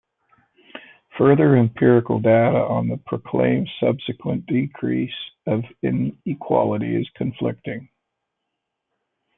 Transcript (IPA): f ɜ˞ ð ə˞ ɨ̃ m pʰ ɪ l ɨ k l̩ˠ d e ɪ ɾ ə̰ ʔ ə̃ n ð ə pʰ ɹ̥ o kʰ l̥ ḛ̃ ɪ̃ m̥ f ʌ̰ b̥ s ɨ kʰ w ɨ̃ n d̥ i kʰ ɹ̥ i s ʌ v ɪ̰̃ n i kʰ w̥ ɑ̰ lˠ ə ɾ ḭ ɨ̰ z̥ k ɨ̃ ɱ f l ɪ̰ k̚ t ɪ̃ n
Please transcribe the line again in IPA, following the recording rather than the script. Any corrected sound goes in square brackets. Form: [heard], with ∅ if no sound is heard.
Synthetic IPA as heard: f ɜ˞ ð ə˞ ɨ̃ m pʰ ɪ [ɹ] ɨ k l̩ˠ d e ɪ ɾ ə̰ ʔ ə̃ n ð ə pʰ ɹ̥ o kʰ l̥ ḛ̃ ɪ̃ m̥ [s] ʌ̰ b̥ s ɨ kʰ w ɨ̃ n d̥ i kʰ ɹ̥ i s ʌ v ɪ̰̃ n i kʰ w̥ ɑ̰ lˠ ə ɾ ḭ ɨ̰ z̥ [kʰ] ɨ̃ ɱ f l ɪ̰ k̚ t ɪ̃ [ŋ]